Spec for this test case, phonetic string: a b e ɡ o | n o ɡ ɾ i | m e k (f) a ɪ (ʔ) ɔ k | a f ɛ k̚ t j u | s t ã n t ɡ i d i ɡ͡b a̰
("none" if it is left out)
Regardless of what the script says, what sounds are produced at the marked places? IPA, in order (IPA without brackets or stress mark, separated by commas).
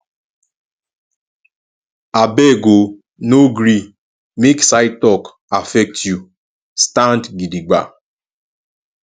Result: s, t